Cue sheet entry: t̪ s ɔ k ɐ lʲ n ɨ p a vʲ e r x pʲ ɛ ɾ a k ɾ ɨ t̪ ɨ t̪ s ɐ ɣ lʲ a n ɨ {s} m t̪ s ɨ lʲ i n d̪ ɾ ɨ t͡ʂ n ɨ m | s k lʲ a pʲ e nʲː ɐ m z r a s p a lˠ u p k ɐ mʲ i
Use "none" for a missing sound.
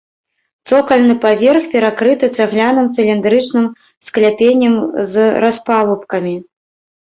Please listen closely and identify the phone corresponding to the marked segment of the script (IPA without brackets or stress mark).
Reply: none